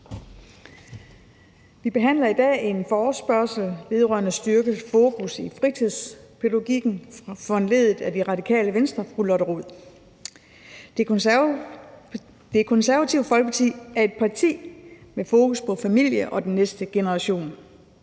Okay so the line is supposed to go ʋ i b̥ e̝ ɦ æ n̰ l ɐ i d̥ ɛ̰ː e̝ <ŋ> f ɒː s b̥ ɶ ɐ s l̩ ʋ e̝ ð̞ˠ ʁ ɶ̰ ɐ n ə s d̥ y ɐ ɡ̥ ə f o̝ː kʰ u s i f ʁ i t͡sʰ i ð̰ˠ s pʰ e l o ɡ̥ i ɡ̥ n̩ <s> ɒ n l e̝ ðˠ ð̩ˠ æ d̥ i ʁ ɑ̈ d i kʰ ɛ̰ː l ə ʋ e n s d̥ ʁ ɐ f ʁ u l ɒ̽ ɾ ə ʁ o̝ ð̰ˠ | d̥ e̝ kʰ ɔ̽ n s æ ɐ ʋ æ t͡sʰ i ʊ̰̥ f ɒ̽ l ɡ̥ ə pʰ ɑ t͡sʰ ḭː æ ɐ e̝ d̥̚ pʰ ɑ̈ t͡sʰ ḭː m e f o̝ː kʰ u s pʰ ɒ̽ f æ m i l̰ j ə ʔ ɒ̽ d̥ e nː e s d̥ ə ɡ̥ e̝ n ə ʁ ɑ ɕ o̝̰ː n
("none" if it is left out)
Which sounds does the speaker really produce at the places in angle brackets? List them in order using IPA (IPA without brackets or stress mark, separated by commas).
n, f